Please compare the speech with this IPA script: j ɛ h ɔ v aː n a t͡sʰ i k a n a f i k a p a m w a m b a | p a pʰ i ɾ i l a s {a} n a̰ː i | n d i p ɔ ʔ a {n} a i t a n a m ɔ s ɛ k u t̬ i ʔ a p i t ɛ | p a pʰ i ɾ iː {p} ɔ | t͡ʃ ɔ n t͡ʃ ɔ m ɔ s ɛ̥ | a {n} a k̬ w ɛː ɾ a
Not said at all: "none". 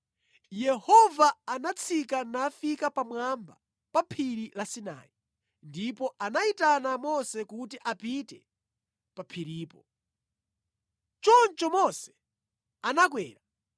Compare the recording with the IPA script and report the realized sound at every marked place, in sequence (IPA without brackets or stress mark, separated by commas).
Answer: i, n, p, n